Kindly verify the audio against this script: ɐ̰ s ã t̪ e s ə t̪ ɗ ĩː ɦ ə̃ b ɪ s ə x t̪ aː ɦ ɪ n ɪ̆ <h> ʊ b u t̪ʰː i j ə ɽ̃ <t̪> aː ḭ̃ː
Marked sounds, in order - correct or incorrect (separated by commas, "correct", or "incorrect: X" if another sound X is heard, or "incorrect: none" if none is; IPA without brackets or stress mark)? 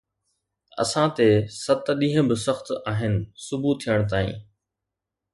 incorrect: s, correct